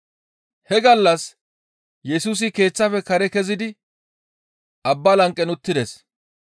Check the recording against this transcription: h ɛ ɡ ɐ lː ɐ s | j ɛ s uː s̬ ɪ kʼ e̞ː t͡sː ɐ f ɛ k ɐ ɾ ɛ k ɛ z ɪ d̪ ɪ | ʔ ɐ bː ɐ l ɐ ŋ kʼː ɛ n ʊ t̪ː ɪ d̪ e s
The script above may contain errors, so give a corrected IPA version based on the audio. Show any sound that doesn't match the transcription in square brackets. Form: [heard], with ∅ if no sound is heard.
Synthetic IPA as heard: h ɛ ɡ ɐ lː ɐ s | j ɛ s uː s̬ ɪ [k] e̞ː t͡sː ɐ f ɛ k ɐ ɾ ɛ k ɛ z ɪ d̪ ɪ | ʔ ɐ bː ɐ l ɐ ŋ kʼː ɛ n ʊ t̪ː ɪ d̪ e s